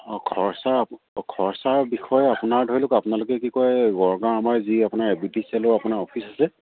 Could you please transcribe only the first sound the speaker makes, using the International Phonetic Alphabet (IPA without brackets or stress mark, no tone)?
kʰ